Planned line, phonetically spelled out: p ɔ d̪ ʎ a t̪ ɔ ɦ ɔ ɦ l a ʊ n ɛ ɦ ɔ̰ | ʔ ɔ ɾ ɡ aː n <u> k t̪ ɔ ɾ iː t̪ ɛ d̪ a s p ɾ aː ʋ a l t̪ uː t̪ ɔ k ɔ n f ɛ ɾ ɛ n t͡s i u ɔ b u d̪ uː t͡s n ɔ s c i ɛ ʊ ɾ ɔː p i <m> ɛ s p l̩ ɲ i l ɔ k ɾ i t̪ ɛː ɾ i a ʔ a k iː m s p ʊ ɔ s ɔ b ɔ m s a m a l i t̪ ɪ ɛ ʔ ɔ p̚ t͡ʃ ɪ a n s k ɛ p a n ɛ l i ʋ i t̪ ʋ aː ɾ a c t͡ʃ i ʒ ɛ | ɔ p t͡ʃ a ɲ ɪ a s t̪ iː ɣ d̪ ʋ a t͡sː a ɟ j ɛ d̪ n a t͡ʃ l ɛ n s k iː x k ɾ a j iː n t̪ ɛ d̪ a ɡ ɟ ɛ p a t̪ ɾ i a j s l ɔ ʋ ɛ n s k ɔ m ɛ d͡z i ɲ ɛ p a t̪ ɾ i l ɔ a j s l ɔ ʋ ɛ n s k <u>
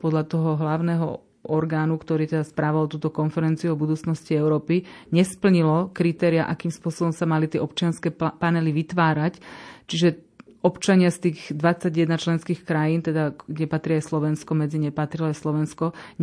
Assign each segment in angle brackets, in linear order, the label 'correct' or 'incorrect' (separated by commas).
correct, incorrect, incorrect